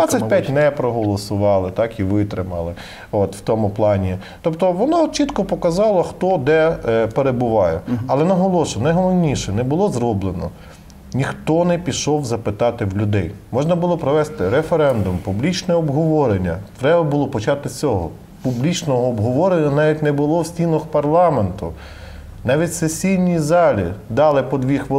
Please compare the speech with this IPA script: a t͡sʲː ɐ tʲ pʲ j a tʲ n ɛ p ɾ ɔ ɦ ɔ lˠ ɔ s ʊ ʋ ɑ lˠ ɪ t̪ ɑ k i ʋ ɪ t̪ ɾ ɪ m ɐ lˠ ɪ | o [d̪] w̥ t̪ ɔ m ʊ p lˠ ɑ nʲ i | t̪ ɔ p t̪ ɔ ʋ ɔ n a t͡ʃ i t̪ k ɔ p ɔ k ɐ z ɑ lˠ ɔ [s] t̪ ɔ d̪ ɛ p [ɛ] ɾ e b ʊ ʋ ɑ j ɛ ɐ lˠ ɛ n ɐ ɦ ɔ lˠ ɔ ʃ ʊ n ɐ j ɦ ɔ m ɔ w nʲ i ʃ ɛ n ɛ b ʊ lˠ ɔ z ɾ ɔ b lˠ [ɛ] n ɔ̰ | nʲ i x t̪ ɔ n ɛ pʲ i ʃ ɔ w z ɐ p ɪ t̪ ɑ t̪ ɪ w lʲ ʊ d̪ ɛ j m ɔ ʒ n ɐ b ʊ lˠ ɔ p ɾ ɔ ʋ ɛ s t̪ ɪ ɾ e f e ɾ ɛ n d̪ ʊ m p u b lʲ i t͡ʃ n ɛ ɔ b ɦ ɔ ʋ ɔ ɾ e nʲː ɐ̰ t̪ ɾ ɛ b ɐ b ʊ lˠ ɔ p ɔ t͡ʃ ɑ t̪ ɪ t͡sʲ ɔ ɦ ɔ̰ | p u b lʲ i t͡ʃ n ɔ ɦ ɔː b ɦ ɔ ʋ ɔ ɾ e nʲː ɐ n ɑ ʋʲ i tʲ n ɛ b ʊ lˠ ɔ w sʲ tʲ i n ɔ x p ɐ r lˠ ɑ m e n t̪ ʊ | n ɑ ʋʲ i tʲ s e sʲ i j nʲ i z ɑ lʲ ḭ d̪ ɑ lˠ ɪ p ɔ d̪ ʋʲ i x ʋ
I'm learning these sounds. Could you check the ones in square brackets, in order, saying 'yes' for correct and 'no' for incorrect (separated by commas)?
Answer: no, no, no, no